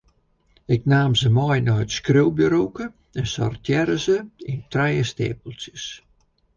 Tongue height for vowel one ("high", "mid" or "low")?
high